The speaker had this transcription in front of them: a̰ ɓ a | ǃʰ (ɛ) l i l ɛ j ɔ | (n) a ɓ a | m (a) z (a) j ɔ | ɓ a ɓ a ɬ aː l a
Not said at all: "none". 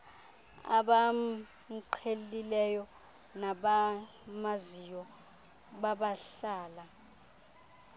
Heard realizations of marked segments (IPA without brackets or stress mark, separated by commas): e, n, a, i